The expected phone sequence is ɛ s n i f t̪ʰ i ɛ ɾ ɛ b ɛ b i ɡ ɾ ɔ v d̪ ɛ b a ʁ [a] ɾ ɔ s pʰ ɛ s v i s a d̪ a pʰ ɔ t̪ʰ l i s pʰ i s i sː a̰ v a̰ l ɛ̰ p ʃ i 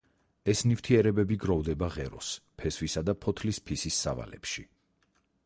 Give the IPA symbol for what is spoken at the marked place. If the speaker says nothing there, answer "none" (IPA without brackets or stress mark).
ɛ